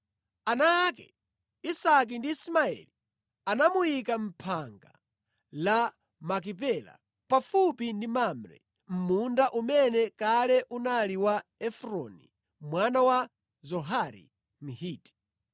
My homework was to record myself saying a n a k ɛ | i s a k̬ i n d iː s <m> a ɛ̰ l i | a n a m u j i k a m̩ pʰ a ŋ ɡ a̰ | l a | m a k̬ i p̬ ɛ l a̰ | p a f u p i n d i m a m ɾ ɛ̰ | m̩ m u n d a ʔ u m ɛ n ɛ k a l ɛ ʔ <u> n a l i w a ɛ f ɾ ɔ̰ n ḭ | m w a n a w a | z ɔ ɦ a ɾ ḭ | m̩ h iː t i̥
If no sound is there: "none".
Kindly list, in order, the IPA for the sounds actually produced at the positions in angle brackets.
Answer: m, u

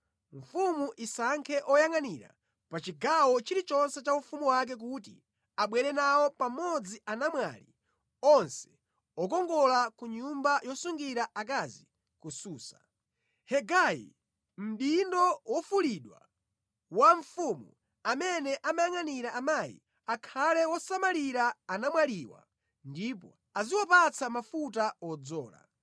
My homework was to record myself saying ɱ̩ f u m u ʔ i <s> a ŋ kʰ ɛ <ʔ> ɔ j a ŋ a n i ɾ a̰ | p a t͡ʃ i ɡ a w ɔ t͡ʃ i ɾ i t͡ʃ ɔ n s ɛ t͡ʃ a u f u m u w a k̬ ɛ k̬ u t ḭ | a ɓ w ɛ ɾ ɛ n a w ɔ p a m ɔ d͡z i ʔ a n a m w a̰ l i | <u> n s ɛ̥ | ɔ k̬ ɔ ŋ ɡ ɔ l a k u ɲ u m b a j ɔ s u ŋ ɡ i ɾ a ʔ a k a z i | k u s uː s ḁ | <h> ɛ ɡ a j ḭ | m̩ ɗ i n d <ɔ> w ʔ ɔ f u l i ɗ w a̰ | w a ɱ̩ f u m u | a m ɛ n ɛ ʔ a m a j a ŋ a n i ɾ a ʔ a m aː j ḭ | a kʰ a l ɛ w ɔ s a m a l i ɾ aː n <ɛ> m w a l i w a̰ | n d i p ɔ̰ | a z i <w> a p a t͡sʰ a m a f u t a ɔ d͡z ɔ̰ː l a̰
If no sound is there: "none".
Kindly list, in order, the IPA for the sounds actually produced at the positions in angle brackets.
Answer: s, ʔ, ɔ, h, ɔ, a, w

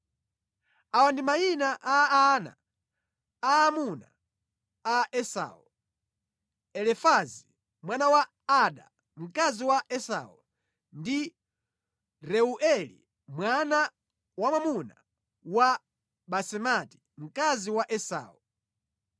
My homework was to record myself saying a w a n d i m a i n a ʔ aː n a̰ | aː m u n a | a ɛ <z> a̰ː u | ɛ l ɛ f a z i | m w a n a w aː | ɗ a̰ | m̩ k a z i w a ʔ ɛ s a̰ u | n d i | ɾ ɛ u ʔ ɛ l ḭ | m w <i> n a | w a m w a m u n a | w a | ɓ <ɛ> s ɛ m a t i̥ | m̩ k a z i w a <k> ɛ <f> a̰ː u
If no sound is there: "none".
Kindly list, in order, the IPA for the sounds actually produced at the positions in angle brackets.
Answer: s, a, a, ʔ, s

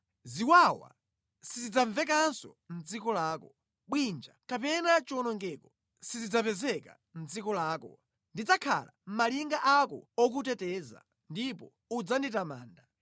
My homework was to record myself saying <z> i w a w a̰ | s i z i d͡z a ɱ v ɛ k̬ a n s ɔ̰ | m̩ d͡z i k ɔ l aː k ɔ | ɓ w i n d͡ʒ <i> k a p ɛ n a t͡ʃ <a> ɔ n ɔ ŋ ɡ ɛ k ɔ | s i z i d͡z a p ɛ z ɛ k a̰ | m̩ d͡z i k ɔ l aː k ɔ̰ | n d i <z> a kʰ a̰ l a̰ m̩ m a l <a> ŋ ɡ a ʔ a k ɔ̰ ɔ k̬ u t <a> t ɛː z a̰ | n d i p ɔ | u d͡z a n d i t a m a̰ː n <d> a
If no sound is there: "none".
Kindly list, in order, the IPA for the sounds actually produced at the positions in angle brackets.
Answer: z, a, i, d͡z, i, ɛ, d

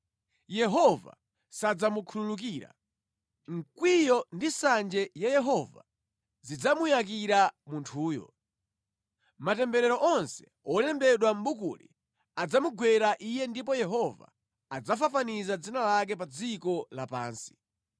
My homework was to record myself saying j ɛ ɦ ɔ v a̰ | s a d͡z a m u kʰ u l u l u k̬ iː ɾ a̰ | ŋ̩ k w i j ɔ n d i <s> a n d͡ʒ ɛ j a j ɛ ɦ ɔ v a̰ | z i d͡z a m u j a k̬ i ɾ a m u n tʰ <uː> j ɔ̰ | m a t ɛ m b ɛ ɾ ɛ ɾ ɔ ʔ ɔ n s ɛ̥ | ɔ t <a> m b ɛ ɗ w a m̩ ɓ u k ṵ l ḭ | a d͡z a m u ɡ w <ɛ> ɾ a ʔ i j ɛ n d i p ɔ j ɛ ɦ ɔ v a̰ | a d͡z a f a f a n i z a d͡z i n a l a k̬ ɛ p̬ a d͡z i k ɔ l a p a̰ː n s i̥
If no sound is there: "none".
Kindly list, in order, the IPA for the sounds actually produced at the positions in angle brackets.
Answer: s, uː, ɛ, ɛ

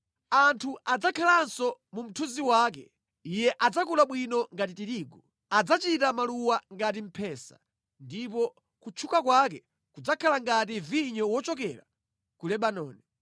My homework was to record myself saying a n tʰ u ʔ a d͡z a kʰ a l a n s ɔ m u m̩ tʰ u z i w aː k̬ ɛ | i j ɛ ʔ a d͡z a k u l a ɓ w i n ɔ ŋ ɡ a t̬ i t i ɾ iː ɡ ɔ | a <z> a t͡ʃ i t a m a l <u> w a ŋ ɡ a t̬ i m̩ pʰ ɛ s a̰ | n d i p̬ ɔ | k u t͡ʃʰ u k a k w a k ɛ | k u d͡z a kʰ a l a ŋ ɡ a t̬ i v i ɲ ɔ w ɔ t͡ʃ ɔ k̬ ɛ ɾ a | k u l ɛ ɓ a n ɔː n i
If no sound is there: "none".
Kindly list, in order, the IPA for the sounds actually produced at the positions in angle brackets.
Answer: d͡z, u

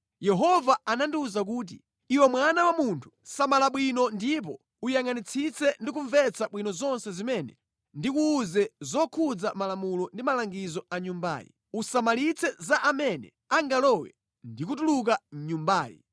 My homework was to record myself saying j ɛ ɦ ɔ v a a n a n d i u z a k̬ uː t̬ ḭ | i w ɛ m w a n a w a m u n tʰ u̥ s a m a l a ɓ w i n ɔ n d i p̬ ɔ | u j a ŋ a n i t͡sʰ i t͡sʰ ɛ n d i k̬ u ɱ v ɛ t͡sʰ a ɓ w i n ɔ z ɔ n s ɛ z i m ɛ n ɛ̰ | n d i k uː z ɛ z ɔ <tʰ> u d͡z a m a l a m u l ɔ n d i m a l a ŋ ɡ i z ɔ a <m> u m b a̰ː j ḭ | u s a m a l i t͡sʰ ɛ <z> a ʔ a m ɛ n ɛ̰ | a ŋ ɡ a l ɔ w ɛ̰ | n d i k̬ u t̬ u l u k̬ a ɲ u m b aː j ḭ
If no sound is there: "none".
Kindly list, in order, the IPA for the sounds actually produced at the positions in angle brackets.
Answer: kʰ, ɲ, z

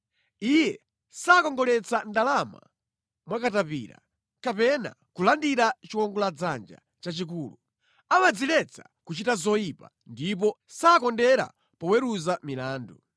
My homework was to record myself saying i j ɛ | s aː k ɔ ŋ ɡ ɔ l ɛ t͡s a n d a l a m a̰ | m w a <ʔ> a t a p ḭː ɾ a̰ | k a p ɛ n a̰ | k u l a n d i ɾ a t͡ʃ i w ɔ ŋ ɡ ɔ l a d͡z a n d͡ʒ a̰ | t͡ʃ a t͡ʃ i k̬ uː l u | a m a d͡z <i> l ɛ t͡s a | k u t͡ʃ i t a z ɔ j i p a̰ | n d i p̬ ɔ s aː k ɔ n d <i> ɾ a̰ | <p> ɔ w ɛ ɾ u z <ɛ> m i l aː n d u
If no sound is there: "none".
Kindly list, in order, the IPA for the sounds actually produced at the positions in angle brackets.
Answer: k, i, ɛ, p, a

